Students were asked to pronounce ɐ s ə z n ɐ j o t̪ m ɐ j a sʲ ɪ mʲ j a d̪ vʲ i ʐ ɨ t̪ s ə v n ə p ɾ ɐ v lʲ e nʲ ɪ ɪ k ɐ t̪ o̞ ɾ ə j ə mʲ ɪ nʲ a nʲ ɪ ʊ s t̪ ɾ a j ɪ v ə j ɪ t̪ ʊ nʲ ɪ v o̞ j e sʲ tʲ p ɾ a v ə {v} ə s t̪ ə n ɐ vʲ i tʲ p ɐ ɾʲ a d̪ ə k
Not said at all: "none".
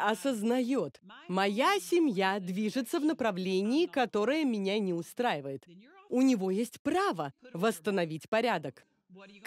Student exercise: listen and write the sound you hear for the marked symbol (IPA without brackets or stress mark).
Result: v